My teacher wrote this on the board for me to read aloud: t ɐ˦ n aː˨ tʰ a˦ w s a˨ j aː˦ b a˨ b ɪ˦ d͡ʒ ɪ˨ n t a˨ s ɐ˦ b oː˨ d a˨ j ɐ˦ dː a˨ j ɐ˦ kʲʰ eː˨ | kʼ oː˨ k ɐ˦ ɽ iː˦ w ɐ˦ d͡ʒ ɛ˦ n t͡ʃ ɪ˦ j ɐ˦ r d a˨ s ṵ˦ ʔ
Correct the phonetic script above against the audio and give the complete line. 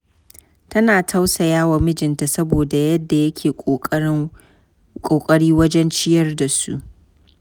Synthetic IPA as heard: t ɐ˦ n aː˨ tʰ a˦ w s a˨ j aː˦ w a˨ m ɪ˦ d͡ʒ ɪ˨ n t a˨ s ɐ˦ b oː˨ d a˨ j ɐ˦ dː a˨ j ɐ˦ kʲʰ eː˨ | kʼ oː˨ kʼ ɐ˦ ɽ iː˦ w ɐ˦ d͡ʒ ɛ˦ n t͡ʃ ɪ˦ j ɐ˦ r d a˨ s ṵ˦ ʔ